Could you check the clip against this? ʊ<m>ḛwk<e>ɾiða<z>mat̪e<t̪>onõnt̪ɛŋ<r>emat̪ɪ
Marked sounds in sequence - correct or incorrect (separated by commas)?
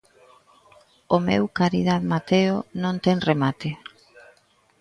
correct, incorrect, incorrect, incorrect, correct